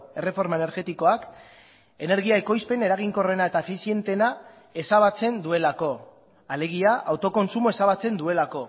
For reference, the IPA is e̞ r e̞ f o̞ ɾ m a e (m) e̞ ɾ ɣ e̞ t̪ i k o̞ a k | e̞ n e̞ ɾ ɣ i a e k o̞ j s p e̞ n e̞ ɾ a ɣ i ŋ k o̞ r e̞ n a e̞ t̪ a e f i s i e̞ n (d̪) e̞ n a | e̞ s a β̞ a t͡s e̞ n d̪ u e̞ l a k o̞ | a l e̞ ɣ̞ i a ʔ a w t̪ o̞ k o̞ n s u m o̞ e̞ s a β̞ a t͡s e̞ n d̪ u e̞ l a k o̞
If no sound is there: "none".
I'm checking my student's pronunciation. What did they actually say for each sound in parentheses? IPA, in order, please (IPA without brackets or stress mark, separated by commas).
n, t̪